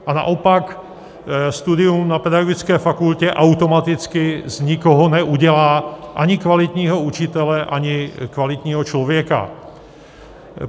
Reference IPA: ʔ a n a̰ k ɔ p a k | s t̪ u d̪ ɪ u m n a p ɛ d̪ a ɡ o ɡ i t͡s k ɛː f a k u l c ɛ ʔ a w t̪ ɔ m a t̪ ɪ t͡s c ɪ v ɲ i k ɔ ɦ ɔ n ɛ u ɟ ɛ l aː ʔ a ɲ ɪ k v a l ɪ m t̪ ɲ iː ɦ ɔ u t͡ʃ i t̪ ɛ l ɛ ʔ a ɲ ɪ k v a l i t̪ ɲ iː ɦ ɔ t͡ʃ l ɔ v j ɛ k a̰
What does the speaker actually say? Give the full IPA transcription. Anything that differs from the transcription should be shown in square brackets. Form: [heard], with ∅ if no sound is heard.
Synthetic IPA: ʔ a n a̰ [ʔ] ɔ p a k | s t̪ u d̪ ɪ u m n a p ɛ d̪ a ɡ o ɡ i t͡s k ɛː f a k u l c ɛ ʔ a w t̪ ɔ m a t̪ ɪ t͡s [k] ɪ [z] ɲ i k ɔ ɦ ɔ n ɛ u ɟ ɛ l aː ʔ a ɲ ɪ k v a l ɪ [∅] t̪ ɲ iː ɦ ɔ u t͡ʃ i t̪ ɛ l ɛ ʔ a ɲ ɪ k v a l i t̪ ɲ iː ɦ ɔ t͡ʃ l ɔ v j ɛ k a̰

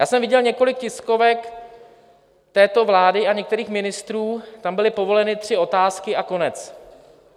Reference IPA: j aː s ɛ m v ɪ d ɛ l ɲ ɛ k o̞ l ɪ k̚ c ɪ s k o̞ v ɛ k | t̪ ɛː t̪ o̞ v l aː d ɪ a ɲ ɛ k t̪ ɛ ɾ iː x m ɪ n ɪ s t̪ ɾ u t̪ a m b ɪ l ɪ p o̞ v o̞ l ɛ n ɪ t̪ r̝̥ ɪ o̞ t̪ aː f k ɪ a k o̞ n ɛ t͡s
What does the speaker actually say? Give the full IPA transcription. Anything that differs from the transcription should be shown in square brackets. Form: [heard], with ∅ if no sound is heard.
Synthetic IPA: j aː s ɛ m v ɪ [ɟ] ɛ l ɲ ɛ k o̞ l ɪ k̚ c ɪ s k o̞ v ɛ k | t̪ ɛː t̪ o̞ v l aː d ɪ a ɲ ɛ k t̪ ɛ ɾ iː x m ɪ n ɪ s t̪ ɾ [uː] t̪ a m b ɪ l ɪ p o̞ v o̞ l ɛ n ɪ t̪ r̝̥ ɪ o̞ t̪ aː [s] k ɪ a k o̞ n ɛ t͡s

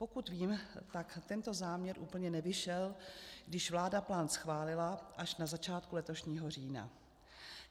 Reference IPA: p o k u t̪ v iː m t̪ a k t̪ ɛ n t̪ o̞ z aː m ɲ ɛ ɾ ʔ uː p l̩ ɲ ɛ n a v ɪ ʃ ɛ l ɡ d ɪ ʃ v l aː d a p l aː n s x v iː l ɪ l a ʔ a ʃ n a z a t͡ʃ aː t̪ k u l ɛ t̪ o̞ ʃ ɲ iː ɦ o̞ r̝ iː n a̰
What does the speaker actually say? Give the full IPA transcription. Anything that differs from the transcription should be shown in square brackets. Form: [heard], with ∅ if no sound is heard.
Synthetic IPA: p o k u t̪ v iː m t̪ a k t̪ ɛ n t̪ o̞ z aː m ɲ ɛ ɾ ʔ uː p l̩ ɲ ɛ n [ɛ] v ɪ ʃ ɛ l ɡ d ɪ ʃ v l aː d a p l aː n s x v [aː] l ɪ l a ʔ a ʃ n a z a t͡ʃ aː t̪ k u l ɛ t̪ o̞ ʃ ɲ iː ɦ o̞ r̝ iː n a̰

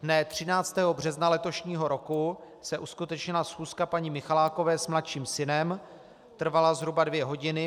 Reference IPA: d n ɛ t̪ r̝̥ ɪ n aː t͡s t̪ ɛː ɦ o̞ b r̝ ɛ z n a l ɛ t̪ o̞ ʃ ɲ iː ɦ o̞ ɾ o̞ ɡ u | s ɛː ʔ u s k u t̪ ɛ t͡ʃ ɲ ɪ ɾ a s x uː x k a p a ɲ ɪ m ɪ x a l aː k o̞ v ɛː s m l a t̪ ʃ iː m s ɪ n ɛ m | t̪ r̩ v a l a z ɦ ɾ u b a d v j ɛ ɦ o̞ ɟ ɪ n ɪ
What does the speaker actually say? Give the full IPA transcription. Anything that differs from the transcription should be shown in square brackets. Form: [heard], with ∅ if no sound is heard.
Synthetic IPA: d n ɛ t̪ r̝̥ ɪ n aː t͡s t̪ ɛː ɦ o̞ b r̝ ɛ z n a l ɛ t̪ o̞ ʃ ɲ iː ɦ o̞ ɾ o̞ [k] u | s [ɛ] ʔ u s k u t̪ ɛ t͡ʃ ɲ ɪ [l] a s x uː [s] k a p a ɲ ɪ m ɪ x a l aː k o̞ v ɛː s m l a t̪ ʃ iː m s ɪ n ɛ m | t̪ r̩ v a l a z ɦ ɾ u b a d v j ɛ ɦ o̞ ɟ ɪ n ɪ

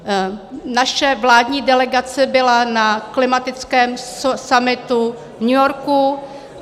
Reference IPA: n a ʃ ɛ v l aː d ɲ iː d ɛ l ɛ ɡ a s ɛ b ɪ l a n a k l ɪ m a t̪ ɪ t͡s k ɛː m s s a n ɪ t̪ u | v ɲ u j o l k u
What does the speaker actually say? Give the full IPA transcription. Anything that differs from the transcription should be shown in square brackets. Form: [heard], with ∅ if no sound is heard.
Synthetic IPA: n a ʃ ɛ v l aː d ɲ iː d ɛ l ɛ ɡ a [t͡s] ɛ b ɪ l a n a k l ɪ m a t̪ ɪ t͡s k ɛː m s s a [m] ɪ t̪ u | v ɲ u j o [ɾ] k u

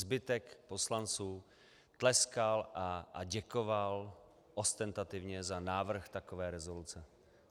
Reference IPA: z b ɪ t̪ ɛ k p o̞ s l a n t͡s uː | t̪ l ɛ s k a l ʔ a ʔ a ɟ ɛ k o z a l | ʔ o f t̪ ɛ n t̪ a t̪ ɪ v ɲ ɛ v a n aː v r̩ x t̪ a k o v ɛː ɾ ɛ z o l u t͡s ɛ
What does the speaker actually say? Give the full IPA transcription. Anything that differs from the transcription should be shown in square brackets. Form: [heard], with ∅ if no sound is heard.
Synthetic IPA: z b ɪ t̪ ɛ k p o̞ s l a n t͡s uː | t̪ l ɛ s k a l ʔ a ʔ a ɟ ɛ k o [v] a l | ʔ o [s] t̪ ɛ n t̪ a t̪ ɪ v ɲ ɛ [z] a n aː v r̩ x t̪ a k o v ɛː ɾ ɛ z o l u t͡s ɛ

